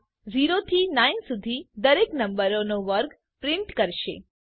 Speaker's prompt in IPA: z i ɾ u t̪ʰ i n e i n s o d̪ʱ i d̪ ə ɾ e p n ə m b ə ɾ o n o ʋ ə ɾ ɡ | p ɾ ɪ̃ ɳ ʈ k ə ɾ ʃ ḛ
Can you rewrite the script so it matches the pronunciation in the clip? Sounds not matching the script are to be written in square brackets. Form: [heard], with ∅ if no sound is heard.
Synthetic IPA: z i ɾ [o] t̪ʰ i n [a] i n s [u] d̪ʱ i d̪ ə ɾ e [k] n ə m b ə ɾ o n o ʋ ə ɾ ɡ | p ɾ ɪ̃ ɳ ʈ k ə ɾ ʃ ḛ